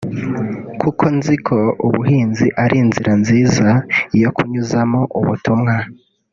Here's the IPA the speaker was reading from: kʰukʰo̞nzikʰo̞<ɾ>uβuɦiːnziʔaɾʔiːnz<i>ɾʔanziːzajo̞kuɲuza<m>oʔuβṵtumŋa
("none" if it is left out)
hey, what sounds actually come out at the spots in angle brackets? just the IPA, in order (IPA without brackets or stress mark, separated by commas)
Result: none, i, m